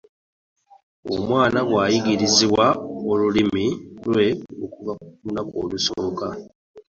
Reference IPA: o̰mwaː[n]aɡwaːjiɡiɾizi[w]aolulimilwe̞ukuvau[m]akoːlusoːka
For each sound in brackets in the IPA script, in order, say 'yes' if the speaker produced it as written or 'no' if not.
yes, yes, no

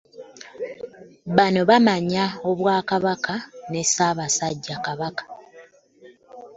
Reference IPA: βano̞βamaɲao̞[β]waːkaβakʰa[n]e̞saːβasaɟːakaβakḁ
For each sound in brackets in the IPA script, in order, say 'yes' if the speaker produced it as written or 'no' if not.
yes, yes

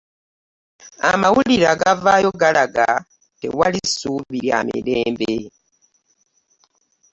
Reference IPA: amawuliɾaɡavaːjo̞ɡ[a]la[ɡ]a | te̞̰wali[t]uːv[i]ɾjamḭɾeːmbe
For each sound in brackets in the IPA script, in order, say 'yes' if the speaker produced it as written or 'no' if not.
yes, yes, no, yes

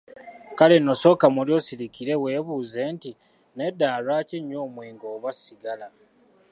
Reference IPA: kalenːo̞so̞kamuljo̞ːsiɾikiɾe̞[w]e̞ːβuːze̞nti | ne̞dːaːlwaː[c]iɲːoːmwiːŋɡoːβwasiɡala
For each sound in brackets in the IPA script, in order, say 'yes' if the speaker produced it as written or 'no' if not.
yes, yes

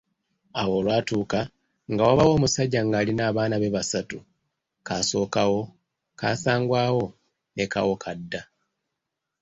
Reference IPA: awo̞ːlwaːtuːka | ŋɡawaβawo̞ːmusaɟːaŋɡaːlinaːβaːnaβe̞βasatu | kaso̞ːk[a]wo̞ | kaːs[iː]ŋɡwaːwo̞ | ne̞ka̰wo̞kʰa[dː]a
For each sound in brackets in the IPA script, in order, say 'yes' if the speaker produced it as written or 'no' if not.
yes, no, yes

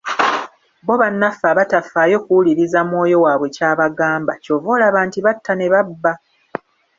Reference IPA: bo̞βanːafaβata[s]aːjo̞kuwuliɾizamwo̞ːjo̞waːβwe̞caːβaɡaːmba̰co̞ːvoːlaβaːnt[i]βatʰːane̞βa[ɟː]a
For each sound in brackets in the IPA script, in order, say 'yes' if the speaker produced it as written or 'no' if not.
no, yes, no

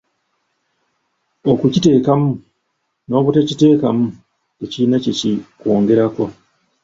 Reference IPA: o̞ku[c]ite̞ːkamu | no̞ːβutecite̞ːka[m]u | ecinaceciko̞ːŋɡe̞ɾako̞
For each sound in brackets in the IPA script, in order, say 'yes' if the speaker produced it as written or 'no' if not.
yes, yes

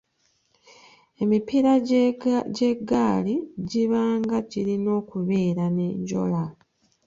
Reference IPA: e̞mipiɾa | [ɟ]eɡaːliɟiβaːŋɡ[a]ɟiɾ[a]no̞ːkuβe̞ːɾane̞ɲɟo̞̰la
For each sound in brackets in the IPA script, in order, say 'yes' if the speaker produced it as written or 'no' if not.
yes, yes, no

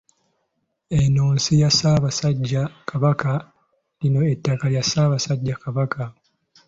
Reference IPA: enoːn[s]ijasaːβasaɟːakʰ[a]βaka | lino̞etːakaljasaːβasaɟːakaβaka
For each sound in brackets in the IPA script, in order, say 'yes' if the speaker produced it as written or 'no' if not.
yes, yes

